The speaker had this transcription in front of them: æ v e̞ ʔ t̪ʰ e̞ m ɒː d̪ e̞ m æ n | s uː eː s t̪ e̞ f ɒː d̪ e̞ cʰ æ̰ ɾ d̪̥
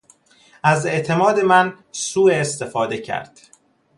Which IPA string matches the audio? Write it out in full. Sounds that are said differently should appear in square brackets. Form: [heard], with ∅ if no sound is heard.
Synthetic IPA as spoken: æ [z] e̞ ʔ t̪ʰ e̞ m ɒː d̪ e̞ m æ n | s uː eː s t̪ e̞ f ɒː d̪ e̞ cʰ æ̰ ɾ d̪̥